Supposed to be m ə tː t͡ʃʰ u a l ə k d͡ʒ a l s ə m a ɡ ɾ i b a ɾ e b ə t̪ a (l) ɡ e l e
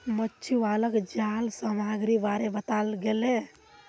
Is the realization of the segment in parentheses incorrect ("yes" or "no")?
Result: no